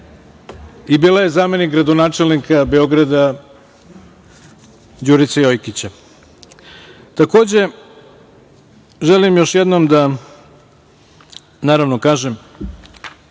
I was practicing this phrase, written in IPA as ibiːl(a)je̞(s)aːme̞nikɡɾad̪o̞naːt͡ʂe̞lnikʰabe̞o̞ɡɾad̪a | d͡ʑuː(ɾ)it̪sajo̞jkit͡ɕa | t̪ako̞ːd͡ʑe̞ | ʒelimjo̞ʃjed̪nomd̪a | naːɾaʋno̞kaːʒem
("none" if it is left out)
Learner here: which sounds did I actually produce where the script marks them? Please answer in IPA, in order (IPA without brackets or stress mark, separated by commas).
a, z, ɾ